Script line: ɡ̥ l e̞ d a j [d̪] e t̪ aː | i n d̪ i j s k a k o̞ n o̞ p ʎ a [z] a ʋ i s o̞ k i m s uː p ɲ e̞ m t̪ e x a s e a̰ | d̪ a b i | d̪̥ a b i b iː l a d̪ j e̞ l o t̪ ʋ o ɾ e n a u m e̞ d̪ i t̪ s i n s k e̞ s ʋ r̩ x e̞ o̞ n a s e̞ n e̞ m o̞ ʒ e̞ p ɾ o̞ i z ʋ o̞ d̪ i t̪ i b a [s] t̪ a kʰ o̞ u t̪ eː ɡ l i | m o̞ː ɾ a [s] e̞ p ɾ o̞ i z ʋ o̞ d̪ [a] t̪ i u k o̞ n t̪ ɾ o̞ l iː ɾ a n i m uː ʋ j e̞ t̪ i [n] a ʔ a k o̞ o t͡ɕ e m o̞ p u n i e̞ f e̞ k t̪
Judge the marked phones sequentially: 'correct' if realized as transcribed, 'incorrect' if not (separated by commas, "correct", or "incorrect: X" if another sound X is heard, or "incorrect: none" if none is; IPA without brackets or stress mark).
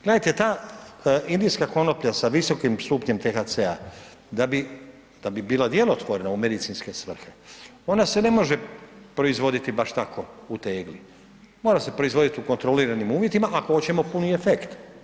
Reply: incorrect: t̪, incorrect: s, incorrect: ʃ, correct, incorrect: i, incorrect: m